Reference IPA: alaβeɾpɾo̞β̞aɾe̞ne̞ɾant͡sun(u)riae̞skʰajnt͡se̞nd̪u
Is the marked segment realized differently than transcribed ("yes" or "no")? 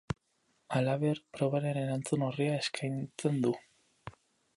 yes